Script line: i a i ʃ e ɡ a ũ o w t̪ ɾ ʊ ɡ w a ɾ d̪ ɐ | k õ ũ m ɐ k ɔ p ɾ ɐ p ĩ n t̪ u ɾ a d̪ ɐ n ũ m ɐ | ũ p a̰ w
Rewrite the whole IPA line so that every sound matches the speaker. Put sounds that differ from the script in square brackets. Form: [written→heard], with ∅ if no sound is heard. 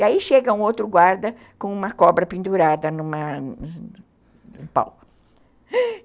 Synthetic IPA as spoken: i a i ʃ e ɡ [a→ɐ] ũ o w t̪ ɾ ʊ ɡ w a ɾ d̪ ɐ | k õ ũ m ɐ k ɔ [p→b] ɾ ɐ p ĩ n [t̪→d̪] u ɾ a d̪ ɐ n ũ m ɐ | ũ p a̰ w